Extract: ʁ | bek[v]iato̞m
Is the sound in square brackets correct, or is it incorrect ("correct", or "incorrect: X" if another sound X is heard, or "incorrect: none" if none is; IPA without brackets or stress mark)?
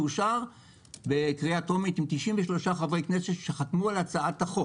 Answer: incorrect: ʁ